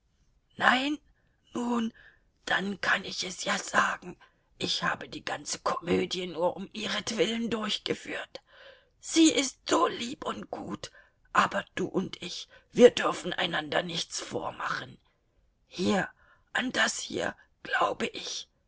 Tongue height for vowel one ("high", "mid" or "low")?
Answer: low